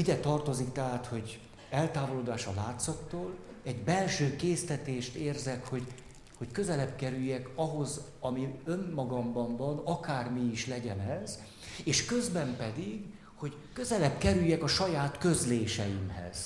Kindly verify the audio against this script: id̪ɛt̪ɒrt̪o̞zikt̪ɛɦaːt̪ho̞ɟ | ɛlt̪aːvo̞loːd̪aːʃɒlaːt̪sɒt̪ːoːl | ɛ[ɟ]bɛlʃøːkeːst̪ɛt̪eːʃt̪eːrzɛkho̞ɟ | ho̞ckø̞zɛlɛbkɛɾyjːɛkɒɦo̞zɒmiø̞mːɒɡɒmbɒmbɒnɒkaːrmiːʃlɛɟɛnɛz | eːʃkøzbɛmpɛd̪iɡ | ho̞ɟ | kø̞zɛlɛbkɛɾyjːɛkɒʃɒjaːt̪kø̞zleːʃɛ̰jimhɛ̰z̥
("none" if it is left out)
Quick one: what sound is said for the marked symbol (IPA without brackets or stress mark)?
ɟ